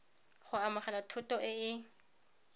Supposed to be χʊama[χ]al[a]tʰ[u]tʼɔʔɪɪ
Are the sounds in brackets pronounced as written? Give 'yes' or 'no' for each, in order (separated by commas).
yes, yes, no